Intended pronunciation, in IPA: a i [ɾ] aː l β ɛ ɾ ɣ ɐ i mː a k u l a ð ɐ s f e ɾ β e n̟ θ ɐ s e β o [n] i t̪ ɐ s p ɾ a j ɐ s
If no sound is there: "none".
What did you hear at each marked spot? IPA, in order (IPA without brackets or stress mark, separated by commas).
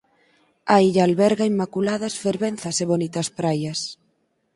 ʎ, n